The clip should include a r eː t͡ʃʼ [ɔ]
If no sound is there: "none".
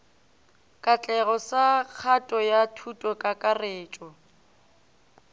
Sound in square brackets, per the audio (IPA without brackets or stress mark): ɔ